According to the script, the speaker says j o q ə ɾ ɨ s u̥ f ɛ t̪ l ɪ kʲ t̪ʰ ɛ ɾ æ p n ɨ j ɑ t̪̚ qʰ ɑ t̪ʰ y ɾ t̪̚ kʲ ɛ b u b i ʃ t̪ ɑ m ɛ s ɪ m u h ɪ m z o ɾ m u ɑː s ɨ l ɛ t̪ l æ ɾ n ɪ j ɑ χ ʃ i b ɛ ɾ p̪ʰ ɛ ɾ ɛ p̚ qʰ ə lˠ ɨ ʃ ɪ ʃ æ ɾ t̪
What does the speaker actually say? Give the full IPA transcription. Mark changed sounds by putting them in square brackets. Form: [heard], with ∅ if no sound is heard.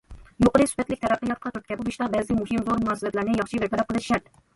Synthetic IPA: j o q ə ɾ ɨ s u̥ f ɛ t̪ l ɪ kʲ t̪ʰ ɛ ɾ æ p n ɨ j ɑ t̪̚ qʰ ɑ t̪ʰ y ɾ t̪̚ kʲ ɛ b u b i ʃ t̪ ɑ [b] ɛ [z] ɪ m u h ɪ m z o ɾ m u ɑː s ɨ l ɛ t̪ l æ ɾ n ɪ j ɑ χ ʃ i b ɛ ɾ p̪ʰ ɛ ɾ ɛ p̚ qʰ ə lˠ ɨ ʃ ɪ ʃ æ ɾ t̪